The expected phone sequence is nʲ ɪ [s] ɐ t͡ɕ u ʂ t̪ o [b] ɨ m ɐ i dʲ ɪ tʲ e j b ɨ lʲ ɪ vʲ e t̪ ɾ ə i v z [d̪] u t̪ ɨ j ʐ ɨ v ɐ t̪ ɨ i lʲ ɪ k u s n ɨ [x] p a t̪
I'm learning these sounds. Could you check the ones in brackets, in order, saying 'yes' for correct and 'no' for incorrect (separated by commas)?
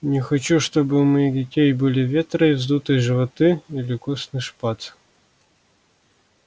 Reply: no, yes, yes, no